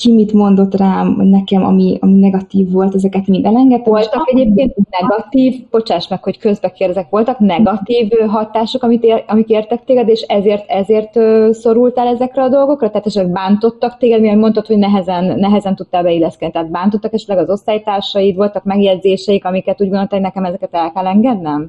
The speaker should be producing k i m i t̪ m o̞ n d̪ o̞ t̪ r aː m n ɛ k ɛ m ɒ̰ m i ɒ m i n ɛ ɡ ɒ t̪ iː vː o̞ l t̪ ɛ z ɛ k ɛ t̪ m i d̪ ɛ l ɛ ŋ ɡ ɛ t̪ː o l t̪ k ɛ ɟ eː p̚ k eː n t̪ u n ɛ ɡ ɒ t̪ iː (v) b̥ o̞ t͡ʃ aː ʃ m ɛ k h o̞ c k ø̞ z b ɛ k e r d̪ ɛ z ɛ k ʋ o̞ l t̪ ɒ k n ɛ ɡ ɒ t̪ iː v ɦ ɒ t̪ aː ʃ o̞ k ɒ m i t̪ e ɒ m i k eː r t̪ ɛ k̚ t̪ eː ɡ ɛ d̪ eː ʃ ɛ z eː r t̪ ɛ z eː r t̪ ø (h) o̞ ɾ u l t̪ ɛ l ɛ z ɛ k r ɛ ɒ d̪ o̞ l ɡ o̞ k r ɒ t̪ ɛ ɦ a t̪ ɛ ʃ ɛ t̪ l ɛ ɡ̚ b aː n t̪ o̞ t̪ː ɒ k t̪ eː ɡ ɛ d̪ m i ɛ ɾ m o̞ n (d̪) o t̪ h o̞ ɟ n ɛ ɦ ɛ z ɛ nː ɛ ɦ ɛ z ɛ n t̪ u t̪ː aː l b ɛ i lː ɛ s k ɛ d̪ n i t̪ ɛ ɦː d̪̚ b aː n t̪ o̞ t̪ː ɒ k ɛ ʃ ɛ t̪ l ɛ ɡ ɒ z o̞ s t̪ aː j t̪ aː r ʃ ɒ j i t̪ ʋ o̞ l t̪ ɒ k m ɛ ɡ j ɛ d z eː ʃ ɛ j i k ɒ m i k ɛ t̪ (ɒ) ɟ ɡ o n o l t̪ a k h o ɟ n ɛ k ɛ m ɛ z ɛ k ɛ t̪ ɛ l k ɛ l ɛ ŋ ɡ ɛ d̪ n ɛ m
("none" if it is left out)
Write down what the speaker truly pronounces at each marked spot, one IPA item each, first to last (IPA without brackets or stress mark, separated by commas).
v, s, t̪, u